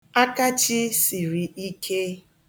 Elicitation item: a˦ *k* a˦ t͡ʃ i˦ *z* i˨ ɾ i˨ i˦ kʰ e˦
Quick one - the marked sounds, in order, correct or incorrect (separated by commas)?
correct, incorrect